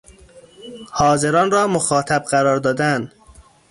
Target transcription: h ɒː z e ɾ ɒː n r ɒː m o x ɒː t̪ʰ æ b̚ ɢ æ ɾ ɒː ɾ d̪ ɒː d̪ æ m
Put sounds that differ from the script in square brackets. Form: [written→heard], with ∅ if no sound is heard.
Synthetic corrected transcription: h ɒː z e ɾ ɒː n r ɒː m o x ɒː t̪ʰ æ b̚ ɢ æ ɾ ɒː ɾ d̪ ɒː d̪ æ [m→n]